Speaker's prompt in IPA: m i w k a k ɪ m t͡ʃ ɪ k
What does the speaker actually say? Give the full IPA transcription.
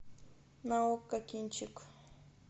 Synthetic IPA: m a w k a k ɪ n t͡ʃ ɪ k